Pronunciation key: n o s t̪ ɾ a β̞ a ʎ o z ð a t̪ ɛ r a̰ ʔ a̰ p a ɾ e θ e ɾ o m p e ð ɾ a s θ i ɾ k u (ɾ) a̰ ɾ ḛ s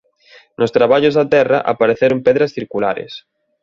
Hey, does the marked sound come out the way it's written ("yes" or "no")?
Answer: no